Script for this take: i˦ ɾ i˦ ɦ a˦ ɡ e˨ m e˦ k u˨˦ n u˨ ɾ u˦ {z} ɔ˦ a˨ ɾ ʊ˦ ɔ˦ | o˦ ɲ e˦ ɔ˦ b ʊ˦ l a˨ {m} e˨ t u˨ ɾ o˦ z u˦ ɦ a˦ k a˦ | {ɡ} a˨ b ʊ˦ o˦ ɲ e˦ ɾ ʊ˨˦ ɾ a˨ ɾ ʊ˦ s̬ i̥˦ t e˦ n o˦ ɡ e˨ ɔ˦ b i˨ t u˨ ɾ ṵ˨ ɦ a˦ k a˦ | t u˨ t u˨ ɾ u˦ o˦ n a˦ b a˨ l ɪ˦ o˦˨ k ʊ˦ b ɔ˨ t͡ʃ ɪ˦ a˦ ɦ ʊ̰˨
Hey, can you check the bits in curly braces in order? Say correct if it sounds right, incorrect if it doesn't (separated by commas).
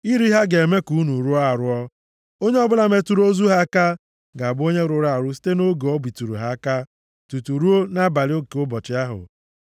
incorrect, correct, correct